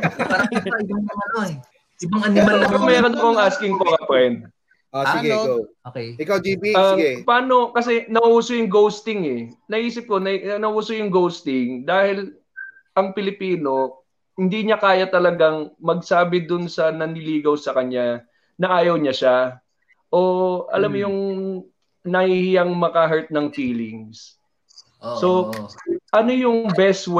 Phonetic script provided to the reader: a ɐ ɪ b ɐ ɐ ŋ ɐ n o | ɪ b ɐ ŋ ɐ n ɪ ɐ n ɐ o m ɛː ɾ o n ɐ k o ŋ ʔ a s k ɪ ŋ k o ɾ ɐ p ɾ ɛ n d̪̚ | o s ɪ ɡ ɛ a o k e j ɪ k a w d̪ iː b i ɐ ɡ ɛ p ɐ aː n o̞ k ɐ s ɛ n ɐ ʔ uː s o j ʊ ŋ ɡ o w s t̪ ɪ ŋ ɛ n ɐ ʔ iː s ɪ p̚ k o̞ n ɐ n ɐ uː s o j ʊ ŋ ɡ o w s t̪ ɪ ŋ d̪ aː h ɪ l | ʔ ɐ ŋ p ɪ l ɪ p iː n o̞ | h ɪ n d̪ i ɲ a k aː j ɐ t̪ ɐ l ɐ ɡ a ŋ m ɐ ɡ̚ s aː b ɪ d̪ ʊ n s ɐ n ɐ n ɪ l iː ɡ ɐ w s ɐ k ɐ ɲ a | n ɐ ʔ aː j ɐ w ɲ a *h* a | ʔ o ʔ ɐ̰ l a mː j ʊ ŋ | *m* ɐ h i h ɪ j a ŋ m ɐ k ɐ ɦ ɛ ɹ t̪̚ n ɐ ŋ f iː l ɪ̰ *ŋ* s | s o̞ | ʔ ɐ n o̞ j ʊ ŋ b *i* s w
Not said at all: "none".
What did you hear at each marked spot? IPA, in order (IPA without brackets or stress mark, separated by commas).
ʃ, n, ŋ, ɛ